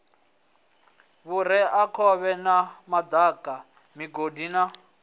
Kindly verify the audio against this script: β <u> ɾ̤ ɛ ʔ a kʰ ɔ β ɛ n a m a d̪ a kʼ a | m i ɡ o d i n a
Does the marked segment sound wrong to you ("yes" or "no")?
no